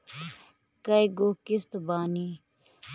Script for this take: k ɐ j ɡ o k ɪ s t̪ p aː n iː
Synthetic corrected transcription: k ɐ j ɡ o k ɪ s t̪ b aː n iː